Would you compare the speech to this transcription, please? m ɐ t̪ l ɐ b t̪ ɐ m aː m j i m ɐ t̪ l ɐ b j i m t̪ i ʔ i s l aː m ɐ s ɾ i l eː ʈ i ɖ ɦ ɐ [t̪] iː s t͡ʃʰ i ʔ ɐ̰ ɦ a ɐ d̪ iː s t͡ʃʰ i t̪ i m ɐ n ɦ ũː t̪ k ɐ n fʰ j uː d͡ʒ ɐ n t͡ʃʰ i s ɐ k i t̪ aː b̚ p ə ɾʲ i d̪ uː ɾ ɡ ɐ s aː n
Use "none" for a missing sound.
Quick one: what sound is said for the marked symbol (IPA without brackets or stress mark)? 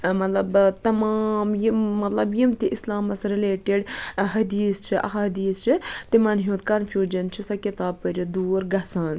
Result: d̪